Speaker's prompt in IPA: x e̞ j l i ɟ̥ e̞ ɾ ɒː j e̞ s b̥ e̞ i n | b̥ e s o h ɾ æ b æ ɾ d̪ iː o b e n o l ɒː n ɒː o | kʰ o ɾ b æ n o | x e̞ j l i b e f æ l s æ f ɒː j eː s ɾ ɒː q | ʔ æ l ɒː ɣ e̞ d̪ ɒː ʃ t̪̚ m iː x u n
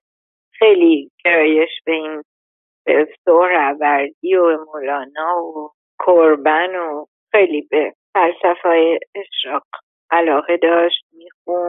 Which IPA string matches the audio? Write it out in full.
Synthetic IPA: x e̞ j l i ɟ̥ e̞ ɾ ɒː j e̞ ʃ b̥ e̞ i n | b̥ e s o h ɾ æ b æ ɾ d̪ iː o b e m o l ɒː n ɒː o | kʰ o ɾ b æ n o | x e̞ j l i b e f æ l s æ f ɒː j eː ʃ ɾ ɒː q | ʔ æ l ɒː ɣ e̞ d̪ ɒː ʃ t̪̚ m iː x u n